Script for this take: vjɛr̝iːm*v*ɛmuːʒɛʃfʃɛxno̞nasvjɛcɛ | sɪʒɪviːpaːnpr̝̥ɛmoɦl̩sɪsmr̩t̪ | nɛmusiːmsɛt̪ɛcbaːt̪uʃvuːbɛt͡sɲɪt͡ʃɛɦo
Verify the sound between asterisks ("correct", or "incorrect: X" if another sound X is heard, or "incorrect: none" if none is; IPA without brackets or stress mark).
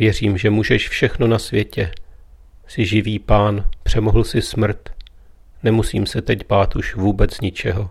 incorrect: ʒ